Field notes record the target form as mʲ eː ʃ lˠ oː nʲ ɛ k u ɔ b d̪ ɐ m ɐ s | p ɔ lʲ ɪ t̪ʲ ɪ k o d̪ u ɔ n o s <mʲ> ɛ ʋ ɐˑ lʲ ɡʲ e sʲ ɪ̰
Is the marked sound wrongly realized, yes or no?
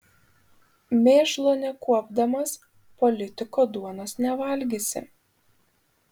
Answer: yes